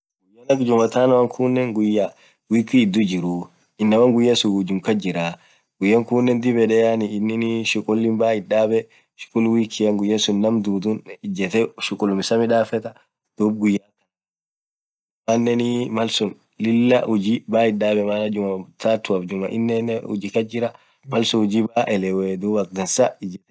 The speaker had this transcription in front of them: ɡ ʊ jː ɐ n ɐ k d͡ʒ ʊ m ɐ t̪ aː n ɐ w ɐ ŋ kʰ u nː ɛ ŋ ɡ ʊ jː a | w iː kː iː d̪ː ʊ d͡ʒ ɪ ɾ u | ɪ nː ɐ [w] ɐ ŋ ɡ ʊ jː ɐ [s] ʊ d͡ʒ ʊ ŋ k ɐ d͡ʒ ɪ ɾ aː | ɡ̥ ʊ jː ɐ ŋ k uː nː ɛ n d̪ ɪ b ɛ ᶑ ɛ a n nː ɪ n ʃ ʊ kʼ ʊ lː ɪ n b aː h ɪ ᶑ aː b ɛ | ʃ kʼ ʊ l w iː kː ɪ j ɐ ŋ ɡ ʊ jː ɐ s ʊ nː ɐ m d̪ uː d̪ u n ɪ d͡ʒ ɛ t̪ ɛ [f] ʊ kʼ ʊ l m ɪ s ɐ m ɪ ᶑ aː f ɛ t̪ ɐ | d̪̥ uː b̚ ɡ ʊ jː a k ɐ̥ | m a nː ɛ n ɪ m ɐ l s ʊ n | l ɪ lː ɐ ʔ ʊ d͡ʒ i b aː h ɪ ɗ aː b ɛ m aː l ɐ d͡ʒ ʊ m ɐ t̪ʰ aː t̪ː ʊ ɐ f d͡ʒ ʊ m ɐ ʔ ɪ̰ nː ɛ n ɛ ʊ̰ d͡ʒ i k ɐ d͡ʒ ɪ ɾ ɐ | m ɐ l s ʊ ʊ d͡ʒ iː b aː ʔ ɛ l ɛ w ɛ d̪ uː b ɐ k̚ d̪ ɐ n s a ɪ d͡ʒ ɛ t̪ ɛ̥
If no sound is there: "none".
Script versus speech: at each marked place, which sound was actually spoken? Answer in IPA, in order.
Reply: w, s, ʃ

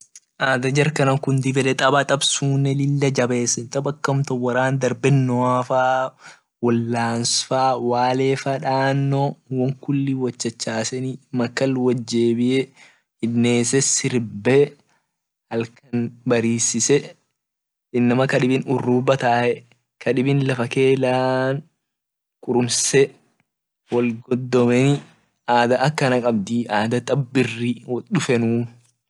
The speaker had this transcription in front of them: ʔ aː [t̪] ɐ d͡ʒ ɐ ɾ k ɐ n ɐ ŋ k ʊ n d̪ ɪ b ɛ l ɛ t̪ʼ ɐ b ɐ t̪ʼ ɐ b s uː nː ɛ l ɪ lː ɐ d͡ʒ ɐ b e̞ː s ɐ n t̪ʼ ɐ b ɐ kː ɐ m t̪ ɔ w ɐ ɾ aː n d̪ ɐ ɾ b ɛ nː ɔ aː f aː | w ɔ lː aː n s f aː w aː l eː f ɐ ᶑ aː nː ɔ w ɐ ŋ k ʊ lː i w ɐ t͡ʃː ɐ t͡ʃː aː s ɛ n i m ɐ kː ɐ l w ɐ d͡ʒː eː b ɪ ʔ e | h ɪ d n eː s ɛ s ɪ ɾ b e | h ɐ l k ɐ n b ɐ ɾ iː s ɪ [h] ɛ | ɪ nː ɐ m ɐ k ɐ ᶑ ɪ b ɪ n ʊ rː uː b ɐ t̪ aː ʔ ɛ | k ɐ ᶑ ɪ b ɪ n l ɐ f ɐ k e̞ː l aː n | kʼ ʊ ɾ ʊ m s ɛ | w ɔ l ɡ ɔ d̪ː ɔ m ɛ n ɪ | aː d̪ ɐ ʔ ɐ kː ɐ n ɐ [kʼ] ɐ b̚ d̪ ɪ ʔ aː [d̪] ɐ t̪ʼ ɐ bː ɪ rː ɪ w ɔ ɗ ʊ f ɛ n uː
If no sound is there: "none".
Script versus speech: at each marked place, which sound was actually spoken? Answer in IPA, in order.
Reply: d̪, s, kʼ, d̪

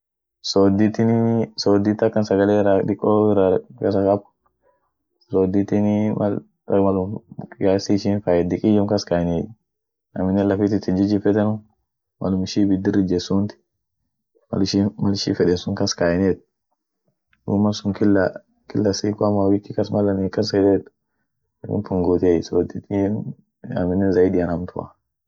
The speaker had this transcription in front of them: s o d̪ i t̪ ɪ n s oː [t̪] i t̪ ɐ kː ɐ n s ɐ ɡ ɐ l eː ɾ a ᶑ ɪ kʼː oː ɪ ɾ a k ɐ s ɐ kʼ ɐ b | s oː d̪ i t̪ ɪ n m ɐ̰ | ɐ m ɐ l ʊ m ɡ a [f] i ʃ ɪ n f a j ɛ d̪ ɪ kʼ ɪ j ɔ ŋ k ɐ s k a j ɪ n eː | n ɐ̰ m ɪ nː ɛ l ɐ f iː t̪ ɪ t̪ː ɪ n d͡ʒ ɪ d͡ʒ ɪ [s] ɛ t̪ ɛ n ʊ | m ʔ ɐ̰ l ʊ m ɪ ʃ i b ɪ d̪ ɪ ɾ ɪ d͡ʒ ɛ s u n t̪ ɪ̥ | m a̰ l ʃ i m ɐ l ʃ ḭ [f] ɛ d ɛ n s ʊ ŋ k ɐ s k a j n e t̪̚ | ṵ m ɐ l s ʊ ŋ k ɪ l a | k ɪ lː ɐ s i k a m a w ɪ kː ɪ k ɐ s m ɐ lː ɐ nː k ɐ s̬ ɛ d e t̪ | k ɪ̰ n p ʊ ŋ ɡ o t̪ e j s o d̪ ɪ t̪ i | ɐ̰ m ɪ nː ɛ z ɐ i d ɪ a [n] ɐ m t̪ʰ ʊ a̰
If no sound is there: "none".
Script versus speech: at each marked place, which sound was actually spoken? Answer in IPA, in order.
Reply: d̪, s, f, f, n

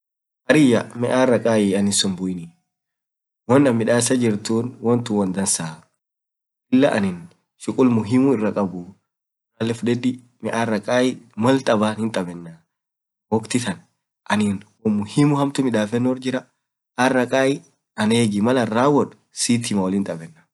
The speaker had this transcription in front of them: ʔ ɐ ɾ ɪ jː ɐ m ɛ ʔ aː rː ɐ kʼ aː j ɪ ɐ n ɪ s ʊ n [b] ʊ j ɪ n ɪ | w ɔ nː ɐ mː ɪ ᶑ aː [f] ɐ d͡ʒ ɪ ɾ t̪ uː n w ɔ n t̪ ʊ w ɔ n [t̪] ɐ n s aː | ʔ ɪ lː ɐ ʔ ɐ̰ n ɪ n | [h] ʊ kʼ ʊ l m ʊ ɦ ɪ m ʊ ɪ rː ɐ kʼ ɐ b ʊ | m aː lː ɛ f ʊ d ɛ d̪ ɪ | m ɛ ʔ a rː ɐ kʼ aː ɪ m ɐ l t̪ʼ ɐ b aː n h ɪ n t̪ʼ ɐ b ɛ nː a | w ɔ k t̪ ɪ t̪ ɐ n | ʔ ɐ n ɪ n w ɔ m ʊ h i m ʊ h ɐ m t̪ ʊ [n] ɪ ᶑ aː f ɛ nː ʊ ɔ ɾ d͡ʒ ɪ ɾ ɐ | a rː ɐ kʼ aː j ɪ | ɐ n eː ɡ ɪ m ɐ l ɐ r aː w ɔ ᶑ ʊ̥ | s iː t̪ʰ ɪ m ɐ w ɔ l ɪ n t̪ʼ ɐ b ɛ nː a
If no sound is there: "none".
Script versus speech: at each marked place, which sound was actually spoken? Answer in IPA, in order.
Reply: b, s, d̪, ʃ, m

